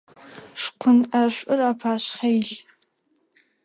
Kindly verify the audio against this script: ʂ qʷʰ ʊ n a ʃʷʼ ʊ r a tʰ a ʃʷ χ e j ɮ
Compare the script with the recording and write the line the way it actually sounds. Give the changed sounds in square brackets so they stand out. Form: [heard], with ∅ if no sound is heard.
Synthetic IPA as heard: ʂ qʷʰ ʊ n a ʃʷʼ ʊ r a [pʰ] a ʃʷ χ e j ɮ